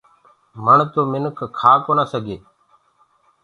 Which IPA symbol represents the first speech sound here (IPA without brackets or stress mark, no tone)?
m